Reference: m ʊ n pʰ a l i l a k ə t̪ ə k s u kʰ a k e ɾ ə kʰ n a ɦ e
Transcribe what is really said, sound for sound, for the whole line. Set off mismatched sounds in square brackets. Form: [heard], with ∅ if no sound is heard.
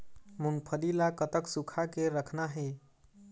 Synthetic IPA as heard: m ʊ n pʰ [ə] l i l a k ə t̪ ə k s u kʰ a k e ɾ ə kʰ n a ɦ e